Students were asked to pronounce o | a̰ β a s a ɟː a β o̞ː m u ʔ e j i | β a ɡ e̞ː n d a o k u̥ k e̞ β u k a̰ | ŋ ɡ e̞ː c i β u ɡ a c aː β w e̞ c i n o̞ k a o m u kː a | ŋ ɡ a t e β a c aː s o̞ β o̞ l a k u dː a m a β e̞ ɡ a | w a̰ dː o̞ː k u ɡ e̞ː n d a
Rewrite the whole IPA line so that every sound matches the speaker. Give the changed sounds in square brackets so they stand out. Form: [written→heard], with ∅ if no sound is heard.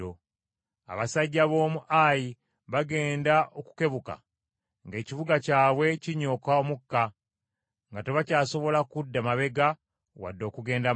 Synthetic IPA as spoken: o | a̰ β a s a ɟː a β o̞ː m u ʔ [e→a] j i | β a ɡ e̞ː n d a o k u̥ k e̞ β u k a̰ | ŋ ɡ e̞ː c i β u ɡ a c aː β w e̞ c i [n→ɲ] o̞ k a o m u kː a | ŋ ɡ a t e β a c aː s o̞ β o̞ l a k u dː a m a β e̞ ɡ a | w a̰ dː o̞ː k u ɡ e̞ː n d a